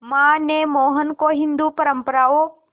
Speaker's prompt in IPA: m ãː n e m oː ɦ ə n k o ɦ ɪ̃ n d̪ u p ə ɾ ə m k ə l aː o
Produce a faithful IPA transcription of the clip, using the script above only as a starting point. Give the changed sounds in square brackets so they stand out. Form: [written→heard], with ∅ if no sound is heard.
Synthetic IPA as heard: m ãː n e m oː ɦ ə n k o ɦ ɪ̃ n d̪ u p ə ɾ ə m [k→p] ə [l→ɾ] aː o